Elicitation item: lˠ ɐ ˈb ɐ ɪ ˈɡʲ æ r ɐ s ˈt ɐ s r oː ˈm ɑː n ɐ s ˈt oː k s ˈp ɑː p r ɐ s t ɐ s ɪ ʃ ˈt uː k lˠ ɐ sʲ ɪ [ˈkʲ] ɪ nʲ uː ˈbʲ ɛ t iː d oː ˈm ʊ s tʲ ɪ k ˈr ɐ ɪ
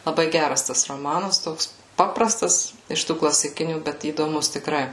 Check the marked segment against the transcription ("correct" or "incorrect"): correct